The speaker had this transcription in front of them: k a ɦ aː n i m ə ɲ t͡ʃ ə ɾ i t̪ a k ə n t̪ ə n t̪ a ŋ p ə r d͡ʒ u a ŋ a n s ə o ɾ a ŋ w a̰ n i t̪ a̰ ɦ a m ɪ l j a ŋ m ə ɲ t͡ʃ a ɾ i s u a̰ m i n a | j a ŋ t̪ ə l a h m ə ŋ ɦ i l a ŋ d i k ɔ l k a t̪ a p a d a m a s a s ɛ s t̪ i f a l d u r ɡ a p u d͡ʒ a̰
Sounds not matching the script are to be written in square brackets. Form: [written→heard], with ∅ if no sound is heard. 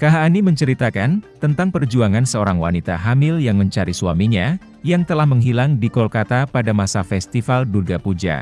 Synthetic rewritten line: k a ɦ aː n i m ə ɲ t͡ʃ ə ɾ i t̪ a k [ə→a] n t̪ ə n t̪ a ŋ p ə r d͡ʒ u a ŋ a n s ə o ɾ a ŋ w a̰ n i t̪ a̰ ɦ a m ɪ l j a ŋ m ə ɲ t͡ʃ a ɾ i s u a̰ m i [n→ɲ] a | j a ŋ t̪ ə l a h m ə ŋ ɦ i l a ŋ d i k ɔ l k a t̪ a p a d a m a s a [s→f] ɛ s t̪ i f a l d u r ɡ a p u d͡ʒ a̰